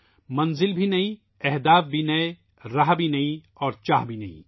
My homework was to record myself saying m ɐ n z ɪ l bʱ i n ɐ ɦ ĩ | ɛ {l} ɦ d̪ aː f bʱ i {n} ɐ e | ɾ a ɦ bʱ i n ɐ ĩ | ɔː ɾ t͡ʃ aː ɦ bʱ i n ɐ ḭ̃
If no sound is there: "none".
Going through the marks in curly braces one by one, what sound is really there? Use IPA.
none, n

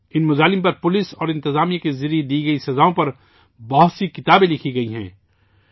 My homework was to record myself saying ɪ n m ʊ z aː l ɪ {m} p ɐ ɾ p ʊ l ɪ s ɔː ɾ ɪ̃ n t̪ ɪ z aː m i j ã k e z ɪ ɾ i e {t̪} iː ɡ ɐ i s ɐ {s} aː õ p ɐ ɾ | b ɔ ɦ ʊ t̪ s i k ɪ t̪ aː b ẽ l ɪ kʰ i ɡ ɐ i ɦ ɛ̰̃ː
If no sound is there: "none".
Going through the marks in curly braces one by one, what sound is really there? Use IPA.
m, d̪, z

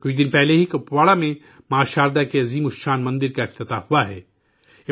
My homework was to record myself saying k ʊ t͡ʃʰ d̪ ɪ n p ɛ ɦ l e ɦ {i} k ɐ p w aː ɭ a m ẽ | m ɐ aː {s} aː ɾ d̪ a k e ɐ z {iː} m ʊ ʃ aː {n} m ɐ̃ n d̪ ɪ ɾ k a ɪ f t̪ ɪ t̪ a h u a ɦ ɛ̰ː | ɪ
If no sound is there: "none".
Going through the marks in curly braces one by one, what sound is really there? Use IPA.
i, ʃ, iː, n

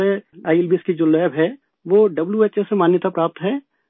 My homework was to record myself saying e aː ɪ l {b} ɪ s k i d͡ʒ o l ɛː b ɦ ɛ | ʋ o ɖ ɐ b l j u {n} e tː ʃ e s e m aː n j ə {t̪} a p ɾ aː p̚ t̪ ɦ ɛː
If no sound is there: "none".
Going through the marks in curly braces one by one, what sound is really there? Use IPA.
b, none, t̪

